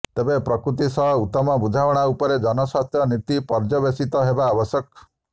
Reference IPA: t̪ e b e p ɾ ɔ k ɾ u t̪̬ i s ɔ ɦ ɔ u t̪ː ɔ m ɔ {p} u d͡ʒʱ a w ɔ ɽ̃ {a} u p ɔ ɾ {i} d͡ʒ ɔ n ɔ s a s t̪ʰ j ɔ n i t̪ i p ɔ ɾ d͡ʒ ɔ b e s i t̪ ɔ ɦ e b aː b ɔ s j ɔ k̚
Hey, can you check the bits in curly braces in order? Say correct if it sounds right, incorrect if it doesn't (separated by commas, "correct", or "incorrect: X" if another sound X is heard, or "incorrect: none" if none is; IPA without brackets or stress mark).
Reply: incorrect: b, correct, incorrect: e